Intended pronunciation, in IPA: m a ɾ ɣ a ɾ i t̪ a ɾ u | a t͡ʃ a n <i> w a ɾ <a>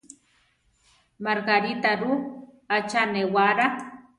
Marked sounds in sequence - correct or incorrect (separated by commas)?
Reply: incorrect, correct